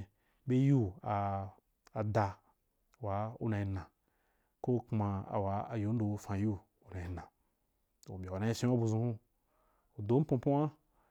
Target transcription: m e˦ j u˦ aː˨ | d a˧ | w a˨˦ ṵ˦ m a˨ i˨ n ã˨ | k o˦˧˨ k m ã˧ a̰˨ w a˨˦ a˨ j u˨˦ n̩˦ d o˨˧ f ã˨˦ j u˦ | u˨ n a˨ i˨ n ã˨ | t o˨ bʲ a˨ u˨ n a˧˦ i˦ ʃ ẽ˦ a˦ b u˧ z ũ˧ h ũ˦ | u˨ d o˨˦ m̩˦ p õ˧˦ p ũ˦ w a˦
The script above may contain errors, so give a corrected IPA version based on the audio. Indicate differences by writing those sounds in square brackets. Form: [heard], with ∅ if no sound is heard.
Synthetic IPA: [b] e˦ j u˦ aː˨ | d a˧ | w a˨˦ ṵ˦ [n] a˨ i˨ n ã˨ | k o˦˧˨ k m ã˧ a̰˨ w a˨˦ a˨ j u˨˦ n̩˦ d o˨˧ f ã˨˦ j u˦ | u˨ n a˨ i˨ n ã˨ | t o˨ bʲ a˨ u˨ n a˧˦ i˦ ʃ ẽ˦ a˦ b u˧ z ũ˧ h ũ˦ | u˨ d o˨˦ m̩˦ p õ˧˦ p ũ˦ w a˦